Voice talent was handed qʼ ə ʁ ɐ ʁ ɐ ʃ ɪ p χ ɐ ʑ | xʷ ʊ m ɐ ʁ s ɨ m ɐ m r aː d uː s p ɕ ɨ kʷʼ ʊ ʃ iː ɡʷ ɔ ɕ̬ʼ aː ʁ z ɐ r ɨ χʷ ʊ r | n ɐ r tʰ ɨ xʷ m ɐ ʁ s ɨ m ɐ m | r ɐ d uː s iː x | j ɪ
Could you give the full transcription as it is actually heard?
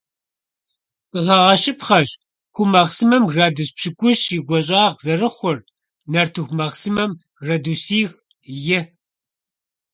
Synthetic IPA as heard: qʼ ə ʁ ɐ ʁ ɐ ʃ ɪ p χ ɐ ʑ | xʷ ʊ m ɐ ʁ s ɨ m ɐ m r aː d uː s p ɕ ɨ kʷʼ ʊ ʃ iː ɡʷ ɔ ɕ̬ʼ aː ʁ z ɐ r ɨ χʷ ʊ r | n ɐ r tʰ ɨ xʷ m ɐ ʁ s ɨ m ɐ m | r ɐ d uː s iː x | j ɪ